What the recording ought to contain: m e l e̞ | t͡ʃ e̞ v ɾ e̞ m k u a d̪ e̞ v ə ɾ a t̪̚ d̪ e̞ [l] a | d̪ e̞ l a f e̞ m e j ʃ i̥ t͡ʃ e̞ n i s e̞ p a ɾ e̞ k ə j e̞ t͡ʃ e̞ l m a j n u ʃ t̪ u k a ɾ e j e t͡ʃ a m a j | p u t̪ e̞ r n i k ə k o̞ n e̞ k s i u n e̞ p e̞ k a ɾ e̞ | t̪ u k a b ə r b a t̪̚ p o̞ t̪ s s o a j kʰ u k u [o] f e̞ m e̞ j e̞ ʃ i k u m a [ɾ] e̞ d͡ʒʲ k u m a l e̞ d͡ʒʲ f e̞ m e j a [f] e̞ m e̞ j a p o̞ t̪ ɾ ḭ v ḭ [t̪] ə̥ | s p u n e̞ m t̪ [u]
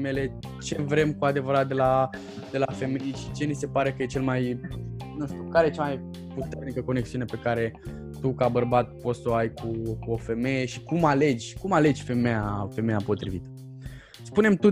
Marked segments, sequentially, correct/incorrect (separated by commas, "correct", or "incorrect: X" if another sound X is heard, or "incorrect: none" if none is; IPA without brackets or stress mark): correct, correct, incorrect: l, correct, correct, correct